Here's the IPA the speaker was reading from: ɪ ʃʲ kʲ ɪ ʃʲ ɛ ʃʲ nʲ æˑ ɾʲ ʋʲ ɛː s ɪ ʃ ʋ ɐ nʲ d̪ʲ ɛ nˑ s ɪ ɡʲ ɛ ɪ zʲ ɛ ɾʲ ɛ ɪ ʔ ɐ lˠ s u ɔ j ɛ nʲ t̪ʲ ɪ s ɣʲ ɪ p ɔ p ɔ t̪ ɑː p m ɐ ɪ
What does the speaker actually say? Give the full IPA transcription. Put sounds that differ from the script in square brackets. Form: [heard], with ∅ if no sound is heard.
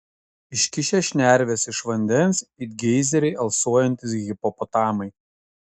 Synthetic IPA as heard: ɪ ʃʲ kʲ ɪ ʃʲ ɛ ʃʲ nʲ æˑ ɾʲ ʋʲ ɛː s ɪ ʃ ʋ ɐ nʲ d̪ʲ ɛ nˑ s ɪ ɡʲ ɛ ɪ zʲ ɛ ɾʲ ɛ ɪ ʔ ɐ lˠ s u ɔ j ɛ nʲ t̪ʲ ɪ s ɣʲ ɪ p ɔ p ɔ t̪ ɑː [∅] m ɐ ɪ